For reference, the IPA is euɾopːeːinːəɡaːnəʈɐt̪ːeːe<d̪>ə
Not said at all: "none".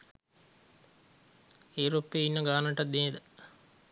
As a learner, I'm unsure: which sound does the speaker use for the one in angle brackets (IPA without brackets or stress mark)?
d̪